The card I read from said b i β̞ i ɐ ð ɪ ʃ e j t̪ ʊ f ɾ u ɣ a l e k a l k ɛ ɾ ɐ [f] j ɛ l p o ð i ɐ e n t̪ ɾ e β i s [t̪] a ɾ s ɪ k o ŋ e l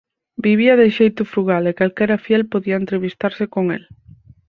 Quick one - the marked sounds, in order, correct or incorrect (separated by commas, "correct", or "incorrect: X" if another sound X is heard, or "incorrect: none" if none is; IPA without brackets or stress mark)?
correct, correct